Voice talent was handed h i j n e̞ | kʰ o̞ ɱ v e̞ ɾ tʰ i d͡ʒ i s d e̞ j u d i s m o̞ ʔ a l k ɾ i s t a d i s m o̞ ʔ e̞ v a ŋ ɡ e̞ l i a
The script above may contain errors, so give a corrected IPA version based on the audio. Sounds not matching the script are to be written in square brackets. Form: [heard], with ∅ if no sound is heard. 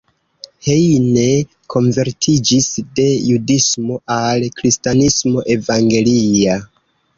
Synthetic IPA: h [e] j n e̞ | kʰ o̞ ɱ v e̞ ɾ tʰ i d͡ʒ i s d e̞ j u d i s m o̞ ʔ a l k ɾ i s t a [n] i s m o̞ ʔ e̞ v a ŋ ɡ e̞ l i a